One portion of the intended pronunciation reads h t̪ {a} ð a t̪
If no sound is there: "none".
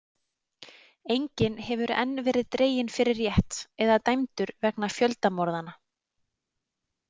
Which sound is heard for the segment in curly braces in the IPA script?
ɛ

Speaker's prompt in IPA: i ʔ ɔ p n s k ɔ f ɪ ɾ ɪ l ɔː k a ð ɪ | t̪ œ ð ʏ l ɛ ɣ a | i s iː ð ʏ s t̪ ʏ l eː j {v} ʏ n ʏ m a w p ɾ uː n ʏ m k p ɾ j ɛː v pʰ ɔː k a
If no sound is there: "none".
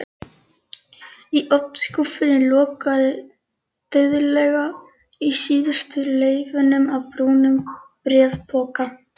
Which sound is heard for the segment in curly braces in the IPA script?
v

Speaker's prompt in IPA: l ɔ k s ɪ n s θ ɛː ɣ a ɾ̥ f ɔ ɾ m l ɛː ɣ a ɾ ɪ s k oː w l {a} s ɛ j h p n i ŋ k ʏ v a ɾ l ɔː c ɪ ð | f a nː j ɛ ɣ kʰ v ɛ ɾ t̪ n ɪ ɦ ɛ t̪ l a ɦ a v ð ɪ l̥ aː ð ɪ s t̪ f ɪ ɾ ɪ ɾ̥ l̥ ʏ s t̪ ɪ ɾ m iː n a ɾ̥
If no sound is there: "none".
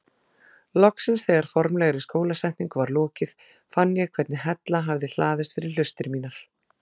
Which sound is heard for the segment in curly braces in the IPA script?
a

